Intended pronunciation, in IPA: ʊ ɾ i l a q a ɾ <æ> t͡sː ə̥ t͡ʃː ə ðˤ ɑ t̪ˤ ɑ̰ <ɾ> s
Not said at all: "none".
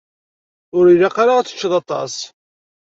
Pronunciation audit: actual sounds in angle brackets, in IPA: a, none

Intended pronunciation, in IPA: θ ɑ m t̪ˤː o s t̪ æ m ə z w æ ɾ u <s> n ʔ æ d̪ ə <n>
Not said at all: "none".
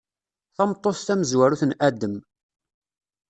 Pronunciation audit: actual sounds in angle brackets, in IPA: θ, m

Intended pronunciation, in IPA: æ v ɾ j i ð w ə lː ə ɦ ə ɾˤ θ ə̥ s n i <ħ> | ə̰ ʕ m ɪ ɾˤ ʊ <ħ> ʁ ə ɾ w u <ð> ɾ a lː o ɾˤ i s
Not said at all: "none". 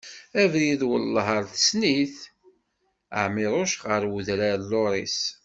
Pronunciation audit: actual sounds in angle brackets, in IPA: θ, ʃ, ð

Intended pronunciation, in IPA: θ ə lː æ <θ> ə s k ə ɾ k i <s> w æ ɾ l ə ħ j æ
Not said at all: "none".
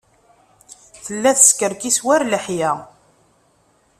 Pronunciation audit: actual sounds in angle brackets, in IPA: θ, s

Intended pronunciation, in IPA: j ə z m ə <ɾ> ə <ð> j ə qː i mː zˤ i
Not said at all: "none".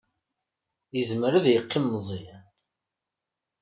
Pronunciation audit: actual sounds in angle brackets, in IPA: ɾ, ð

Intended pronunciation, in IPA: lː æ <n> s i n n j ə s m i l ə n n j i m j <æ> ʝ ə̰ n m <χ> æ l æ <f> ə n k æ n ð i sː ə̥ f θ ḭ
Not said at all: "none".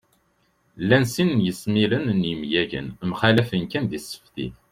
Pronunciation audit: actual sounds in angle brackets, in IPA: n, æ, χ, f

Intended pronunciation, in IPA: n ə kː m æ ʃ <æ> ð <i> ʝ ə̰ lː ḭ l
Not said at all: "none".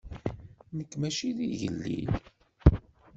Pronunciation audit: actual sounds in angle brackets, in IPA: i, i

